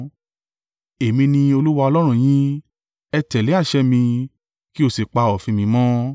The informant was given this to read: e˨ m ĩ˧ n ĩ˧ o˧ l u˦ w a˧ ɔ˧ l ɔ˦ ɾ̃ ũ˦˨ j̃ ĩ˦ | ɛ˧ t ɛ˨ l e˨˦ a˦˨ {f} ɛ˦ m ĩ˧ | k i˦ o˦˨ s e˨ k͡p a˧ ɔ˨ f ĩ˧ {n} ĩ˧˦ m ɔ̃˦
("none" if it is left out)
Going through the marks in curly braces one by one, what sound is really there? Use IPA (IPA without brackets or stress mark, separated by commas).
ʃ, m